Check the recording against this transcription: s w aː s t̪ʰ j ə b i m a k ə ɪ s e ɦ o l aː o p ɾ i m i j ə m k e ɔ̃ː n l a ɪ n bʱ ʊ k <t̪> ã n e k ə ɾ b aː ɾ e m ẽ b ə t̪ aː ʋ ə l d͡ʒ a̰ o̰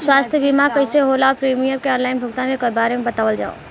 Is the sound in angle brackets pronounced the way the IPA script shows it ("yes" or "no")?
yes